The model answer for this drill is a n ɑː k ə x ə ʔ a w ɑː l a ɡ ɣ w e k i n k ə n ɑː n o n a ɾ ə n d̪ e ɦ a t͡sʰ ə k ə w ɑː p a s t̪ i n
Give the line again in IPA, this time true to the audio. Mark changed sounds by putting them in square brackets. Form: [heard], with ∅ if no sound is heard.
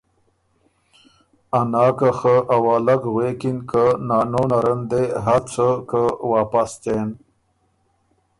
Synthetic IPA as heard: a n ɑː k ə x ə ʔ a w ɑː l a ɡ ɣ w e k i n k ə n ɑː n o n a ɾ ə n d̪ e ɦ a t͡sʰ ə k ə w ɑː p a s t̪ [e] n